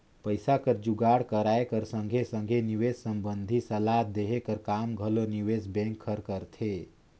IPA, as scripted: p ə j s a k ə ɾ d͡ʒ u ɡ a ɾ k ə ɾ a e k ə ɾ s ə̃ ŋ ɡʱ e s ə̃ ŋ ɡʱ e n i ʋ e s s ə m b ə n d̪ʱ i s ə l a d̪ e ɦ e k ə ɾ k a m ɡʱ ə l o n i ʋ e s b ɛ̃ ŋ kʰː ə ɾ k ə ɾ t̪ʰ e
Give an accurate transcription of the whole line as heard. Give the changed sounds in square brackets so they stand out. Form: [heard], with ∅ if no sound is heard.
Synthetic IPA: p ə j s a k ə ɾ d͡ʒ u ɡ a [ɽ] k ə ɾ a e k ə ɾ s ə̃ ŋ ɡʱ e s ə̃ ŋ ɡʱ e n i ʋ e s s ə m b ə n d̪ʱ i s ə l a d̪ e ɦ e k ə ɾ k a m ɡʱ ə l o n i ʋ e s b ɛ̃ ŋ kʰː ə ɾ k ə ɾ t̪ʰ e